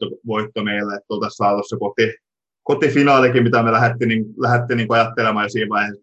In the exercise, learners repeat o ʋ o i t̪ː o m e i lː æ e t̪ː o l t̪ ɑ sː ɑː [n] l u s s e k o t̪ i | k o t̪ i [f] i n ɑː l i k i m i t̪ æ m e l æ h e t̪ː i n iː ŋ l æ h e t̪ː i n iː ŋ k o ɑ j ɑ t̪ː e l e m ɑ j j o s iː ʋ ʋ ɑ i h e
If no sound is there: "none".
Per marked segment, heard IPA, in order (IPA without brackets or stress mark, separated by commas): none, f